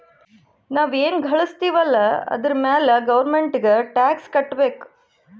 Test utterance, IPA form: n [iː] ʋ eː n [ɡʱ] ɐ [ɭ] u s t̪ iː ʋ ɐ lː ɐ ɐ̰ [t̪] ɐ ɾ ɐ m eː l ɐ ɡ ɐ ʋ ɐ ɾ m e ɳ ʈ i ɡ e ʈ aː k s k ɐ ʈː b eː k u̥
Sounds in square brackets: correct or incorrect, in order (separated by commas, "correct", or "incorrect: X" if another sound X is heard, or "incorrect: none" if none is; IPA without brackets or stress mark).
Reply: incorrect: aː, correct, correct, incorrect: d̪